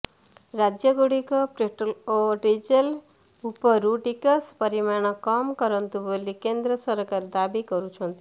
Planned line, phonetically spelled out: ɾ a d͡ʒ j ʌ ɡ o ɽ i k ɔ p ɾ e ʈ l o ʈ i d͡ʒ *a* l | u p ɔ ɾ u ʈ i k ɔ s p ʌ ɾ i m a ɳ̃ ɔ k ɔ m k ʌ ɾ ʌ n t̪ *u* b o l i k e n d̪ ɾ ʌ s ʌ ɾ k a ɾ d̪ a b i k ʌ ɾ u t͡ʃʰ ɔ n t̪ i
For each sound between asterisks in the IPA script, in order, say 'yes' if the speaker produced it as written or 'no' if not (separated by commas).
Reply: no, yes